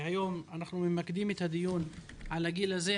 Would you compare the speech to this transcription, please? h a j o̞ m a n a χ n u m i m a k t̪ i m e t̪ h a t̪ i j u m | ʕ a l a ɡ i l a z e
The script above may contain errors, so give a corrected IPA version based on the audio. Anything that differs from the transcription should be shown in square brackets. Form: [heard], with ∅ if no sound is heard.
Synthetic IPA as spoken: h a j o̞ m a n a χ n u m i m a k [d̪] i m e t̪ h a [d̪] i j u [n] | ʕ a l a ɡ i l a z e